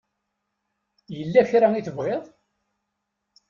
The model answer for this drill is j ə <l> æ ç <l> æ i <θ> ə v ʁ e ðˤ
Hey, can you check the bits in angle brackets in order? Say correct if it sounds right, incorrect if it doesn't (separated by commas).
incorrect, incorrect, correct